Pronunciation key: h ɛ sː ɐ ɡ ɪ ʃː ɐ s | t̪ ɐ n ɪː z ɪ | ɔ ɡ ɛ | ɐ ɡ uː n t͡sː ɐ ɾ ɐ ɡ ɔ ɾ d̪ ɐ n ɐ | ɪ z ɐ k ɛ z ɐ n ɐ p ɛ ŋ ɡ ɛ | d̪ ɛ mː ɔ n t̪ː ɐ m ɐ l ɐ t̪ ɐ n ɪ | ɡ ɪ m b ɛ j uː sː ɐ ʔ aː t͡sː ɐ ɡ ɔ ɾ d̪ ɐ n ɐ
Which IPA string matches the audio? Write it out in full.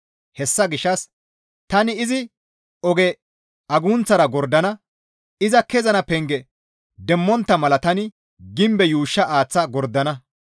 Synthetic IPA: h ɛ sː ɐ ɡ ɪ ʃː ɐ s | t̪ ɐ n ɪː z ɪ | ɔ ɡ ɛ | ɐ ɡ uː n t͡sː ɐ ɾ ɐ ɡ ɔ ɾ d̪ ɐ n ɐ | ɪ z ɐ k ɛ z ɐ n ɐ p ɛ ŋ ɡ ɛ | d̪ ɛ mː ɔ n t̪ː ɐ m ɐ l ɐ t̪ ɐ n ɪ | ɡ ɪ m b ɛ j uː ʃː ɐ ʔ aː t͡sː ɐ ɡ ɔ ɾ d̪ ɐ n ɐ